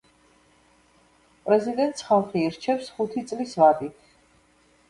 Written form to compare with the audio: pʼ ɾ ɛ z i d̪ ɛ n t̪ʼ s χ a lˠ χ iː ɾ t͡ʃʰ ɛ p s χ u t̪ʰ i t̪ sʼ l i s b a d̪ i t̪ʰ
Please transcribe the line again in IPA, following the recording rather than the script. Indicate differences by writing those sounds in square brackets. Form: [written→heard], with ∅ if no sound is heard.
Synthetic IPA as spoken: pʼ ɾ ɛ z i d̪ ɛ n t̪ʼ s χ a lˠ χ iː ɾ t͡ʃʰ ɛ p s χ u t̪ʰ i t̪ sʼ l i s [b→v] a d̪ i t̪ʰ